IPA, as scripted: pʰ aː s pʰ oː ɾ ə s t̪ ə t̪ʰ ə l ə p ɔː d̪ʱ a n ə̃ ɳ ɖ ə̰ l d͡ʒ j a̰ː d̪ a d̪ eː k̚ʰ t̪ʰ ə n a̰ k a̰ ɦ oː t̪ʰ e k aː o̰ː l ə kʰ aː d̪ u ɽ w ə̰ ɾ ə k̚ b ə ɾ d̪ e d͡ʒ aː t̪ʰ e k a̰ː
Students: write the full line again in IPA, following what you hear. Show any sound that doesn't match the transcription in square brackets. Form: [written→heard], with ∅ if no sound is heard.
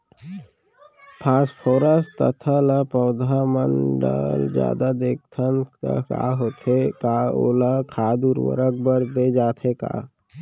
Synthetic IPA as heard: pʰ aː s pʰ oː ɾ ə s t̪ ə t̪ʰ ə l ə p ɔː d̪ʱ a [n→m] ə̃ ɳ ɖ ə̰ l d͡ʒ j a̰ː d̪ a d̪ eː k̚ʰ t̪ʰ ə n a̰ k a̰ ɦ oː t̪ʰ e k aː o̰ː l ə kʰ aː d̪ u [ɽ→ɾ] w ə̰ ɾ ə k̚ b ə ɾ d̪ e d͡ʒ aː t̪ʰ e k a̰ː